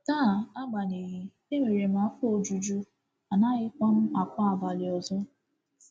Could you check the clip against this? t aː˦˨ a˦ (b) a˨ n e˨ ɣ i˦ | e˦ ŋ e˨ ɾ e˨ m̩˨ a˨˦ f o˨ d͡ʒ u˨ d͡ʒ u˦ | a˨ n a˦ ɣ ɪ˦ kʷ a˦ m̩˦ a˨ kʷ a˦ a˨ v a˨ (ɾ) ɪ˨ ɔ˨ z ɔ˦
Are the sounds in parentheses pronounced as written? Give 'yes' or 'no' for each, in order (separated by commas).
no, no